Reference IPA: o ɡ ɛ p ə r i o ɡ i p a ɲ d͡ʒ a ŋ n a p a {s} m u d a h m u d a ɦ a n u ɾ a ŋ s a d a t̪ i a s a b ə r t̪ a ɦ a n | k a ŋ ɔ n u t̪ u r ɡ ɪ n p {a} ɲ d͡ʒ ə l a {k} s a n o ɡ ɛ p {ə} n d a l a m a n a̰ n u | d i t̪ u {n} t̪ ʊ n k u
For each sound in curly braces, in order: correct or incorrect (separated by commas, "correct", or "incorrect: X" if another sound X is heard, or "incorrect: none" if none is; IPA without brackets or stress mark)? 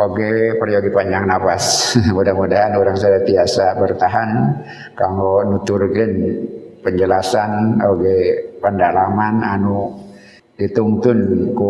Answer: correct, incorrect: ə, incorrect: none, correct, incorrect: ŋ